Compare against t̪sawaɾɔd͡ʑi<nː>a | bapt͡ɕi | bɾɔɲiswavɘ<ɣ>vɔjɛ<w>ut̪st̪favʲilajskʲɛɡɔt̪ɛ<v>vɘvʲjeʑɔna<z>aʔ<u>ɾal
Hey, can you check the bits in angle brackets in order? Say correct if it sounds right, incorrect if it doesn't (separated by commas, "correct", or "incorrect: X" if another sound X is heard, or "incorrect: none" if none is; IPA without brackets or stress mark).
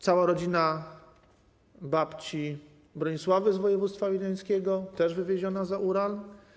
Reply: incorrect: n, incorrect: z, incorrect: v, incorrect: ʐ, correct, correct